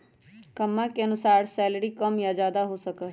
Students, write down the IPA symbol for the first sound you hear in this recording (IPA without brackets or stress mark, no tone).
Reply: k